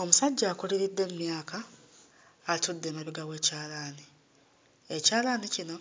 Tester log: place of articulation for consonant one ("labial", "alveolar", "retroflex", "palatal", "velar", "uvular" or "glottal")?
labial